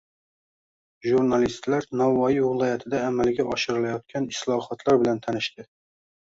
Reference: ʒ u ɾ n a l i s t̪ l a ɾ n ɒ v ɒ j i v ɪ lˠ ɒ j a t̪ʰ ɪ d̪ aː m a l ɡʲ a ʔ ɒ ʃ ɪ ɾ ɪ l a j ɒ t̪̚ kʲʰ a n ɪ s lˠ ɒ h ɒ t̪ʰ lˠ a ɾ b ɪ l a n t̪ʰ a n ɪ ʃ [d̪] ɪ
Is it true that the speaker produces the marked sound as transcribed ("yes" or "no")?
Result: no